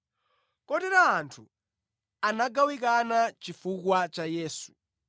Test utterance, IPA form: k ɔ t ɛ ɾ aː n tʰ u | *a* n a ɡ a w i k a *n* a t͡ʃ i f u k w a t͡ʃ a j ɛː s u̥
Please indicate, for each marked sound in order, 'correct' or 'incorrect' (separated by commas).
correct, correct